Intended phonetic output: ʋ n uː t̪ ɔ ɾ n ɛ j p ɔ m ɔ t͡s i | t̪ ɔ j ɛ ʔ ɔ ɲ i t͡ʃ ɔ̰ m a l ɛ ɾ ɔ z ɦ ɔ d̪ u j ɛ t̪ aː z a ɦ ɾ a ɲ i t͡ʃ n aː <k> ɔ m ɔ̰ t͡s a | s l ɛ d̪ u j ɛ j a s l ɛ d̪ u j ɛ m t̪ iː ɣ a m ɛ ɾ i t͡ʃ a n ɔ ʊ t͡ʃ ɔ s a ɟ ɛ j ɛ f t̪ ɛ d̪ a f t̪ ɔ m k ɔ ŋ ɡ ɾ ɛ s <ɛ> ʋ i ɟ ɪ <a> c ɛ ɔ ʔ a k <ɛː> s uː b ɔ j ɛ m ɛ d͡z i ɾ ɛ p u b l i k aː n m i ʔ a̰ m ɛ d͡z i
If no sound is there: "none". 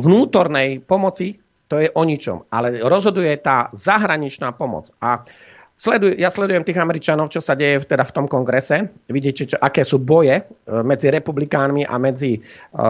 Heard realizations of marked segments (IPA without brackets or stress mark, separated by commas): p, ɛ, ɛ, ɛː